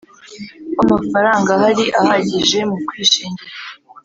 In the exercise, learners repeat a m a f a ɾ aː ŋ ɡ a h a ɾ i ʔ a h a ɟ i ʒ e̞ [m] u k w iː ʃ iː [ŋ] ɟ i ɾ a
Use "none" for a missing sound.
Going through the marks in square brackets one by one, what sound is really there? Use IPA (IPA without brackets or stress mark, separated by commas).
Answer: m, ɲ